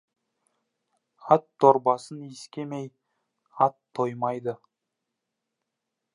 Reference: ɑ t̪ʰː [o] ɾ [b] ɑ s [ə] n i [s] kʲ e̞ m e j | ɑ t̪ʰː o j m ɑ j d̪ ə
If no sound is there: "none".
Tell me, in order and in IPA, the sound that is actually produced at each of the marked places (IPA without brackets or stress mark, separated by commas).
o, b, ə, s